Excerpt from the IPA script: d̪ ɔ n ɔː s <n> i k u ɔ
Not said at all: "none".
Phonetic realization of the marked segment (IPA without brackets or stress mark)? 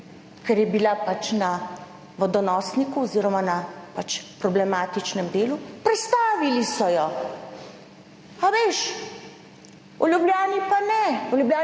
n